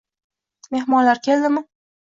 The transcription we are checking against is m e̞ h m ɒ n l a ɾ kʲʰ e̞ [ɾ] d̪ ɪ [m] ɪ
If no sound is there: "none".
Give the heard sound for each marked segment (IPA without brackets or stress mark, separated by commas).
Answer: l, m